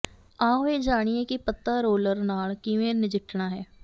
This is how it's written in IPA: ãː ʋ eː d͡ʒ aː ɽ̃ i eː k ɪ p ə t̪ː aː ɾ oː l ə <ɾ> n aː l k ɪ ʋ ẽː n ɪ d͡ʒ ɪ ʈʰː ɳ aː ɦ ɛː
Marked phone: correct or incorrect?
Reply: correct